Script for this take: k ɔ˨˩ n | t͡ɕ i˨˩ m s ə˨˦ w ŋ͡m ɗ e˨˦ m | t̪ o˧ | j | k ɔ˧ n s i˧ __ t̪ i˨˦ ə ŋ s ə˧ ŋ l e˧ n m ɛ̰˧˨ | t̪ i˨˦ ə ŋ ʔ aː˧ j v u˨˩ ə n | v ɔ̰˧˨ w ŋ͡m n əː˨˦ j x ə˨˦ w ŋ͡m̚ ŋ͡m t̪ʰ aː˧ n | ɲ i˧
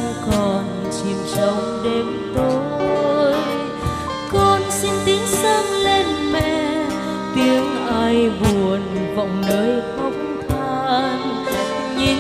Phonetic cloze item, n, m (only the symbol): n